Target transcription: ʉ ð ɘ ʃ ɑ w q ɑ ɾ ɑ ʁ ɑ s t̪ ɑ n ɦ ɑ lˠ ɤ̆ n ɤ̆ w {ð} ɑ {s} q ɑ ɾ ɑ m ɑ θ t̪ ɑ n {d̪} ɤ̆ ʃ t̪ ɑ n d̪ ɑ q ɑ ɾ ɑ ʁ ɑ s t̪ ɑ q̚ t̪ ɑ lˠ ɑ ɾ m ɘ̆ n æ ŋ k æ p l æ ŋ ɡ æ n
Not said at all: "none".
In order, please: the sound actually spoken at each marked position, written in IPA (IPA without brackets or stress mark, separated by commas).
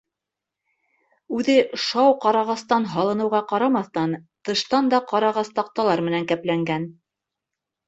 ʁ, none, t̪